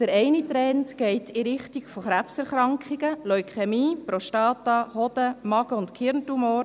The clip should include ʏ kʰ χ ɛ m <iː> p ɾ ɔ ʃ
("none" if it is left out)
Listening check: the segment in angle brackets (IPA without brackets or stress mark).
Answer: iː